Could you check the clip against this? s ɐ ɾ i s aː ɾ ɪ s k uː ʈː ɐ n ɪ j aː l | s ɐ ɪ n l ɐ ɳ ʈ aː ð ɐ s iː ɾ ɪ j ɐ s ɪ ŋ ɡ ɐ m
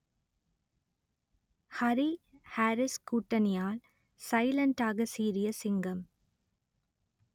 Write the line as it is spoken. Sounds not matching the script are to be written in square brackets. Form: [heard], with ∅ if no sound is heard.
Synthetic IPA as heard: [h] ɐ ɾ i [h] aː ɾ ɪ s k uː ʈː ɐ n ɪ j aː l | s ɐ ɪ [∅] l ɐ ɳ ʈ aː [ɣ] ɐ s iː ɾ ɪ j ɐ s ɪ ŋ ɡ ɐ m